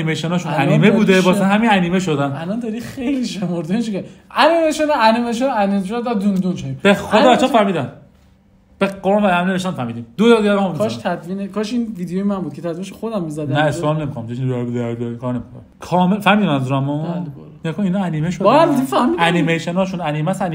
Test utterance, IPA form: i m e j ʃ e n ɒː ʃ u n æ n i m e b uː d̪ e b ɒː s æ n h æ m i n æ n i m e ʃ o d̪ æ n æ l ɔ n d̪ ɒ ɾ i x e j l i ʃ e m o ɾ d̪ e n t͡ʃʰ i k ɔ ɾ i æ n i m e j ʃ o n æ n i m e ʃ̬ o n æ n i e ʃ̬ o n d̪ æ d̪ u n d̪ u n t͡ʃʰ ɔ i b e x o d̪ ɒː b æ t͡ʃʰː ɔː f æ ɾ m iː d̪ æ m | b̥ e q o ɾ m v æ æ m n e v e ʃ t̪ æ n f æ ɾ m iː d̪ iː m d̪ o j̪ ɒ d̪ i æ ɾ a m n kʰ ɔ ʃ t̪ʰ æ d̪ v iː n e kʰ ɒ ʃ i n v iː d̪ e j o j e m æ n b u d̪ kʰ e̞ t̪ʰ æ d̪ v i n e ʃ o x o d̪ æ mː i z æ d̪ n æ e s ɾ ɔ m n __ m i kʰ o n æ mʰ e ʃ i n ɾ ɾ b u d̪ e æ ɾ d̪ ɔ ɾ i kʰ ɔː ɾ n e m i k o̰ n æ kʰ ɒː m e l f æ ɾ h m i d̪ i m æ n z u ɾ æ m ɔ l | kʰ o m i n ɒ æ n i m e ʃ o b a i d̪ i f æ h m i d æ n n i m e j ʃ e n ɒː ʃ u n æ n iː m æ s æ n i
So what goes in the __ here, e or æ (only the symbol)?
e